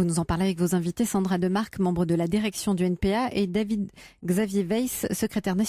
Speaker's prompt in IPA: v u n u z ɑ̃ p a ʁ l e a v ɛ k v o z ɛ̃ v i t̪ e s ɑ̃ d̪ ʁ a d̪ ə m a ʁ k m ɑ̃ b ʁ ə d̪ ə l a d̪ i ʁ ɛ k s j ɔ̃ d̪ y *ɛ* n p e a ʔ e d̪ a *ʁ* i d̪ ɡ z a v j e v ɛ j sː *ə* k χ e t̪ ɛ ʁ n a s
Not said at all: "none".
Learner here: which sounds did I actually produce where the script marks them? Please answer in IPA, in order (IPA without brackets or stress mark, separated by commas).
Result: ɛ, v, ə